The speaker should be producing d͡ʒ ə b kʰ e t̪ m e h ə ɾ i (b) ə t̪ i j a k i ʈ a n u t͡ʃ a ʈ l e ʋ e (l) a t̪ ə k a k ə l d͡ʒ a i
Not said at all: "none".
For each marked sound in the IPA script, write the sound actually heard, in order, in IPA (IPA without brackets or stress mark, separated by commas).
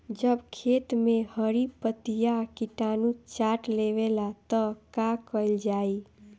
p, l